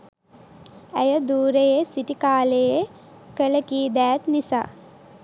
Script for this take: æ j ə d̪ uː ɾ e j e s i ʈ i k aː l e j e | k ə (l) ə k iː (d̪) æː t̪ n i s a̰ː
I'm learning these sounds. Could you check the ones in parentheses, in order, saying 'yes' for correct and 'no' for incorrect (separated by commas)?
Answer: yes, yes